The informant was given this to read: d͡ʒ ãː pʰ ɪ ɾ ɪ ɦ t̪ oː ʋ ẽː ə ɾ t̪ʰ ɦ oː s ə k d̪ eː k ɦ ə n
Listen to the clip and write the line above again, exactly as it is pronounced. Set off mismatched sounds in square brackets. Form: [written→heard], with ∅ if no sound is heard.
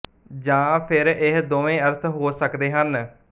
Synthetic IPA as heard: d͡ʒ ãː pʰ ɪ ɾ ɪ ɦ [t̪→d̪] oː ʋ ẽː ə ɾ t̪ʰ ɦ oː s ə k d̪ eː [k→∅] ɦ ə n